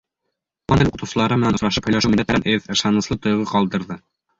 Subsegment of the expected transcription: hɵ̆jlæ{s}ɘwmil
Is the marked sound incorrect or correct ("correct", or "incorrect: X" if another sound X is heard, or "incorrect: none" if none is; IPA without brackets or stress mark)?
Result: incorrect: ʃ